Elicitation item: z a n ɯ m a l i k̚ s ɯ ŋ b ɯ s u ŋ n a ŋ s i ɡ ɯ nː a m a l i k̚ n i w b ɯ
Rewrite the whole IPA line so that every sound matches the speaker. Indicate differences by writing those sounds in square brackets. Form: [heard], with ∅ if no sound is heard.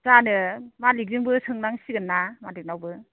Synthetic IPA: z a n ɯ m a l i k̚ [z] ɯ ŋ b ɯ s [ɯ] ŋ n a ŋ s i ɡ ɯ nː a m a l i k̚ n [a] w b ɯ